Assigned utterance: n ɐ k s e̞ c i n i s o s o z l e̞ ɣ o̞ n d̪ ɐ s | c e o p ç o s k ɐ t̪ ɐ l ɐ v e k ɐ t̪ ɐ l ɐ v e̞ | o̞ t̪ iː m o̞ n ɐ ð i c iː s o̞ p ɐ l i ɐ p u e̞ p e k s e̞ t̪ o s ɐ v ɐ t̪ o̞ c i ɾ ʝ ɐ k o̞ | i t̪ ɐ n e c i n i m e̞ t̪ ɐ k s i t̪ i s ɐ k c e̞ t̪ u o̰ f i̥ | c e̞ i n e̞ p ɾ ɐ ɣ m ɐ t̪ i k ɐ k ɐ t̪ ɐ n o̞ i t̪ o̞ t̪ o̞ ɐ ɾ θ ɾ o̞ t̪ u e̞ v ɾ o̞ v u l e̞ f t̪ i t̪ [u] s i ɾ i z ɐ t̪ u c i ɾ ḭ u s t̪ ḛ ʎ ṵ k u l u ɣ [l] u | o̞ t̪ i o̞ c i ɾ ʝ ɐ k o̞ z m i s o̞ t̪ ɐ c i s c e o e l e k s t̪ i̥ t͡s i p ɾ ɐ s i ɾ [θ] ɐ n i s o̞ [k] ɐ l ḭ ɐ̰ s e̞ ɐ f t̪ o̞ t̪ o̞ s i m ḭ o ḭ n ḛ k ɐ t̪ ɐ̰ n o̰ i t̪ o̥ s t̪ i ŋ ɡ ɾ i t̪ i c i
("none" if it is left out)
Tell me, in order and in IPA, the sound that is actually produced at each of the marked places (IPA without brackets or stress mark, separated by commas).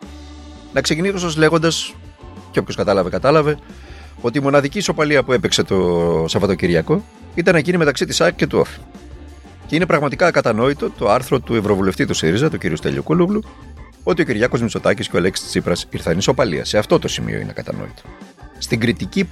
u, l, θ, p